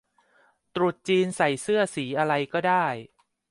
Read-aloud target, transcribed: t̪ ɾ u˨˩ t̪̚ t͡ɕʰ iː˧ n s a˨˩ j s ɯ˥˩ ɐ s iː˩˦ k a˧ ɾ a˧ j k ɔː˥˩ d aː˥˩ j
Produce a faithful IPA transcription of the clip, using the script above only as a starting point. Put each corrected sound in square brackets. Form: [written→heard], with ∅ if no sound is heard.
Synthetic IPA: t̪ ɾ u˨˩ t̪̚ [t͡ɕʰ→t͡ɕ] iː˧ n s a˨˩ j s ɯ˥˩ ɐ s iː˩˦ [k→ʔ] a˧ ɾ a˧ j k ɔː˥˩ d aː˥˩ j

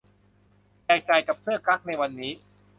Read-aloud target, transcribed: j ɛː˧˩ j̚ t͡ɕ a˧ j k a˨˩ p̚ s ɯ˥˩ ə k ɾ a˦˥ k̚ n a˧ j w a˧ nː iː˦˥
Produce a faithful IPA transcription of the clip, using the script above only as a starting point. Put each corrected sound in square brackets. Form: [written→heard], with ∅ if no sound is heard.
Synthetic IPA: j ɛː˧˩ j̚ t͡ɕ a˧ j k a˨˩ p̚ s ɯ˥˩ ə k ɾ a˦˥ k̚ n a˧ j w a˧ nː iː˦˥

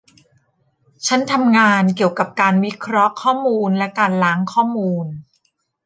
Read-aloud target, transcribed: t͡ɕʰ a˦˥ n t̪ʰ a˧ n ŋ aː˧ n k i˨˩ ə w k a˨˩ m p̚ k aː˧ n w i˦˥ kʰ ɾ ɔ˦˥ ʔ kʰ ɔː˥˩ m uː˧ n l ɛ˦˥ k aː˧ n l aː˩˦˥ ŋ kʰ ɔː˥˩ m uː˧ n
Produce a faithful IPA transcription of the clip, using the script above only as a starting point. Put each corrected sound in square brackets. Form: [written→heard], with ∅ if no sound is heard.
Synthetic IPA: t͡ɕʰ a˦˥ n t̪ʰ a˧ [n→m] ŋ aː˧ n k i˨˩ ə w k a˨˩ [m→∅] p̚ k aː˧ n w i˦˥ kʰ ɾ ɔ˦˥ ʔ kʰ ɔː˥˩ m uː˧ n l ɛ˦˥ k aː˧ n l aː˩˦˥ ŋ kʰ ɔː˥˩ m uː˧ n

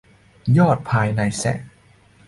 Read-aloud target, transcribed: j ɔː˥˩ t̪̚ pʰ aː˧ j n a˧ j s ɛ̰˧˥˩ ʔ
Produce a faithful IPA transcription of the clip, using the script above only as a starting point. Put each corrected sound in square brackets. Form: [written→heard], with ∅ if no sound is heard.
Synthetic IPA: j ɔː˥˩ t̪̚ pʰ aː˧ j n a˧ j s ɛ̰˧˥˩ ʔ

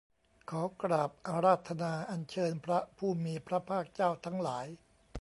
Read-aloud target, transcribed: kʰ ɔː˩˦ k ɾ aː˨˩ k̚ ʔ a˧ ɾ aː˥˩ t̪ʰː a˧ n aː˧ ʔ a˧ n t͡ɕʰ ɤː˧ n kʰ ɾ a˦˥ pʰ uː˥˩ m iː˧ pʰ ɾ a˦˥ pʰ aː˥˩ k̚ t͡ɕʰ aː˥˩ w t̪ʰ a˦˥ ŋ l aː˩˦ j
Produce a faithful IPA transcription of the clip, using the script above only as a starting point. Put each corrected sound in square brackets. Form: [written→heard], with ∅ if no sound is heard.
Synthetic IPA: kʰ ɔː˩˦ k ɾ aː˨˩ [k̚→p̚] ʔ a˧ ɾ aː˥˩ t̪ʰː a˧ n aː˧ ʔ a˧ n t͡ɕʰ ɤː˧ n [kʰ→pʰ] ɾ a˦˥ pʰ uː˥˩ m iː˧ pʰ ɾ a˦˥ pʰ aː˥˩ k̚ [t͡ɕʰ→t͡ɕ] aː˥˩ w t̪ʰ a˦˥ ŋ l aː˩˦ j

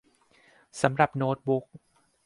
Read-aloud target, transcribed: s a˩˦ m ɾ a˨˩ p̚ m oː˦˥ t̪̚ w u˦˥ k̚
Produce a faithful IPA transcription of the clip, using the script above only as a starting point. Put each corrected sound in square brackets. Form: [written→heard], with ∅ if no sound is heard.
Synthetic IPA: s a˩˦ m ɾ a˨˩ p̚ [m→n] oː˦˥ t̪̚ [w→b] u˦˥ k̚

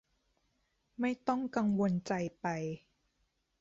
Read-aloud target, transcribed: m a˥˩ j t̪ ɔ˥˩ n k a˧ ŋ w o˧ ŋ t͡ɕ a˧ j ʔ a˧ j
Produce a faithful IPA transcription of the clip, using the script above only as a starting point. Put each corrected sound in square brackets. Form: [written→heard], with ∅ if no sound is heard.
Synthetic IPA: m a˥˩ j t̪ ɔ˥˩ [n→ŋ] k a˧ ŋ w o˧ [ŋ→n] t͡ɕ a˧ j [ʔ→p] a˧ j

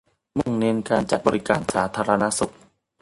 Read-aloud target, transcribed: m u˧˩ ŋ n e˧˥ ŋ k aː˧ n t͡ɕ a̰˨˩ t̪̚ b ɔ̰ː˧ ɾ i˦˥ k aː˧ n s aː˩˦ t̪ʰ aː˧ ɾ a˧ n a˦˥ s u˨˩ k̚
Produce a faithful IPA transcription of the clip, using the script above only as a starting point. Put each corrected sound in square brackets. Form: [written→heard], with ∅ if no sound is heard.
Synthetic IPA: m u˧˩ ŋ n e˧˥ [ŋ→n] k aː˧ n t͡ɕ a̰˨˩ t̪̚ b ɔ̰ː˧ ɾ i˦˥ k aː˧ n s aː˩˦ t̪ʰ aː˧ ɾ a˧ n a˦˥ s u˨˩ k̚

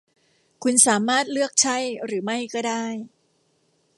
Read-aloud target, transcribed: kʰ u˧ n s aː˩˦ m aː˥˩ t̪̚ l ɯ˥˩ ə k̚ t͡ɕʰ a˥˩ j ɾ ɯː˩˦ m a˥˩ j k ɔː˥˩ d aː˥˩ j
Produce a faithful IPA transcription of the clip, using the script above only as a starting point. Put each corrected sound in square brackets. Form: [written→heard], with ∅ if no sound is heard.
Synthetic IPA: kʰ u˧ n s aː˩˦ m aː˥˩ t̪̚ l ɯ˥˩ ə k̚ t͡ɕʰ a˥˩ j ɾ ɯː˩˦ m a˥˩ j k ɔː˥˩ d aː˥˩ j

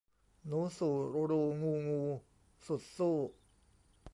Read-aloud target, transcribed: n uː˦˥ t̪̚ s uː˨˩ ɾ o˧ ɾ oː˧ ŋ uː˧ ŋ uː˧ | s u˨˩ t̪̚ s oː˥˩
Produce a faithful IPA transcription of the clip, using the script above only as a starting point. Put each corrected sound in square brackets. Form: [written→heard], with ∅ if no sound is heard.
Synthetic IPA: n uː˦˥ [t̪̚→∅] s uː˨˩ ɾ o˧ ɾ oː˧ ŋ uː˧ ŋ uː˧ | s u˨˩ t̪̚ s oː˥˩

